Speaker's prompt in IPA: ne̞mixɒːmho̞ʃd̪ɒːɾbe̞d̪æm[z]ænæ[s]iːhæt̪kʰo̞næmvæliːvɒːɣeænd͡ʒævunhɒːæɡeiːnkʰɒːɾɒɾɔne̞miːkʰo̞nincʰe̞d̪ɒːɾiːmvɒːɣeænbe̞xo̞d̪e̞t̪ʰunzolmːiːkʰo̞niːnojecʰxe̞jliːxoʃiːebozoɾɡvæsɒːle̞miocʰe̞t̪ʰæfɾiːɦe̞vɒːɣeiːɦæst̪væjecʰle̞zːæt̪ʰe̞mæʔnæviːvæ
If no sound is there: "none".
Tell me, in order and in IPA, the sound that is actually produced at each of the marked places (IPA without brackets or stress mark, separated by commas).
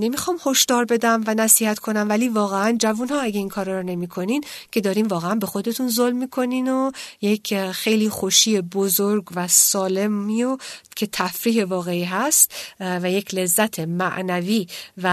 v, s